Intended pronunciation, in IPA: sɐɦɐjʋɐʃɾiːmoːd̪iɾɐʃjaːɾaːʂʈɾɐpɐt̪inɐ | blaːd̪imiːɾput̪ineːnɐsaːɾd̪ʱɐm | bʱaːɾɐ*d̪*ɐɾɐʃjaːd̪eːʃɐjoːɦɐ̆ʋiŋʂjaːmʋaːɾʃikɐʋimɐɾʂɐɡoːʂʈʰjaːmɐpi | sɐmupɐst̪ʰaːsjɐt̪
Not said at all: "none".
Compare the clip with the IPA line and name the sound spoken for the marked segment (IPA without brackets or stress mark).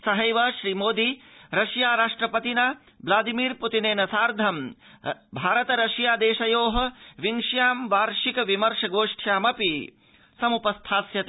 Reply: t̪